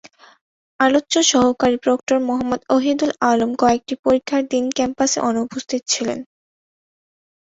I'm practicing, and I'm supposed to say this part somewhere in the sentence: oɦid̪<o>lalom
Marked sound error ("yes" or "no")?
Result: yes